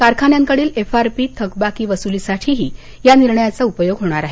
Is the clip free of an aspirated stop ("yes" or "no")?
no